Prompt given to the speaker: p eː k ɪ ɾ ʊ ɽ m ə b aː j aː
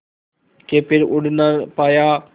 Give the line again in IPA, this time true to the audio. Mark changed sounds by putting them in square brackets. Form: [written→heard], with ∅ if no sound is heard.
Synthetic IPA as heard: [p→k] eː [k→p] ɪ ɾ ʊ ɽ [m→n] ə [b→p] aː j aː